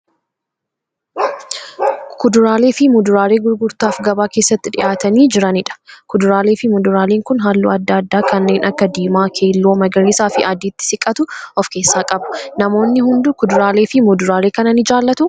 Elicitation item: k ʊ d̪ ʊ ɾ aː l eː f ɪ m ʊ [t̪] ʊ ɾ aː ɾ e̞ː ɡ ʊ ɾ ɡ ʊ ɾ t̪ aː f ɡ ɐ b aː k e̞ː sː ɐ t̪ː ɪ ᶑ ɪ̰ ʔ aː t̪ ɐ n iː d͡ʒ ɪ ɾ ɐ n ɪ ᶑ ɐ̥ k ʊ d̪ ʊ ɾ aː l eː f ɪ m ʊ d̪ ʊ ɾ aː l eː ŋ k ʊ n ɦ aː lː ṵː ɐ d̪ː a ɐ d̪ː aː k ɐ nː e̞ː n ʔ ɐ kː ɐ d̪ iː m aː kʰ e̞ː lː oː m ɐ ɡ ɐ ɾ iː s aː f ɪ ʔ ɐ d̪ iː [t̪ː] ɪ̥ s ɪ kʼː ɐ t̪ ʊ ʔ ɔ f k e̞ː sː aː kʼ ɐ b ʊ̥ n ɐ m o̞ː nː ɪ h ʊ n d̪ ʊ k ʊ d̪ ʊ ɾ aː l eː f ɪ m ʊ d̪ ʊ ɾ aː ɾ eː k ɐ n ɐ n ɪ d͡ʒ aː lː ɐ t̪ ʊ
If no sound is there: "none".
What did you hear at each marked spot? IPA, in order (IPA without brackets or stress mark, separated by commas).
d̪, t̪ː